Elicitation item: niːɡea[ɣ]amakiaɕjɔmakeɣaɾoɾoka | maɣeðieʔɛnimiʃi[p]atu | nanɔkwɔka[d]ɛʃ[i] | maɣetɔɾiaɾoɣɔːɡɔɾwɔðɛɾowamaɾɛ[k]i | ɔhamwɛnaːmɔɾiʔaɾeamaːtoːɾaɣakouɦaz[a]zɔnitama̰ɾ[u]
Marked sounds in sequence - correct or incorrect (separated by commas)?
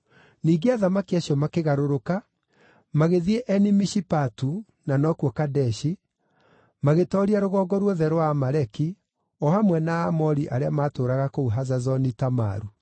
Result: incorrect, correct, correct, correct, correct, correct, correct